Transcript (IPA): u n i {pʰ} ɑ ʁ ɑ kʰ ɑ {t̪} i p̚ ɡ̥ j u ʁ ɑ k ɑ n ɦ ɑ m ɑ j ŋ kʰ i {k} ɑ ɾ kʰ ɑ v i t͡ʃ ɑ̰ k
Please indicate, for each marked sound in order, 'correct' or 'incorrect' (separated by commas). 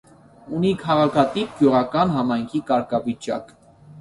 incorrect, correct, correct